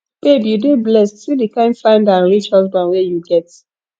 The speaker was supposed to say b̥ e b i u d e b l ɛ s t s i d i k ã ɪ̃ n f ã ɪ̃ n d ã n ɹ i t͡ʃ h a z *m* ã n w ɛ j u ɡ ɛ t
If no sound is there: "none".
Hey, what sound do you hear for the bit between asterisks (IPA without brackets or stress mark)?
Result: b